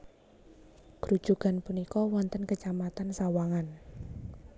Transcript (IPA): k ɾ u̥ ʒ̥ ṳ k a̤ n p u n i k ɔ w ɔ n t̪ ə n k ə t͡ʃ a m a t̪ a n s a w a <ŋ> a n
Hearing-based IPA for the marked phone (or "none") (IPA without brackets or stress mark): ŋ